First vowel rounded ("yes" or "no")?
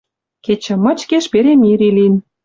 no